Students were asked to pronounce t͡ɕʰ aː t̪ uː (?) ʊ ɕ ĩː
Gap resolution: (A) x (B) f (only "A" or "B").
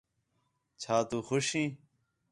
A